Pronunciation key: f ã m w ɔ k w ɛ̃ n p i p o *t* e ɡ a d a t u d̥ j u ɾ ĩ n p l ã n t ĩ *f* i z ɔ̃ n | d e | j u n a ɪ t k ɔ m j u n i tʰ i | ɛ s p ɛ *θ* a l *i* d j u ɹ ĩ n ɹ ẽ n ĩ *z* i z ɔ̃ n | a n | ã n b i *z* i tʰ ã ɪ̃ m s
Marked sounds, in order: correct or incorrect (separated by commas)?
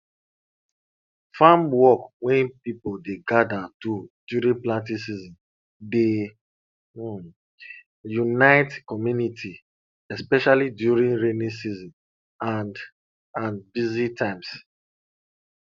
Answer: incorrect, incorrect, incorrect, correct, incorrect, correct